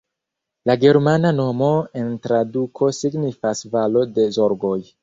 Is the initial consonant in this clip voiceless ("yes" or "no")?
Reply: no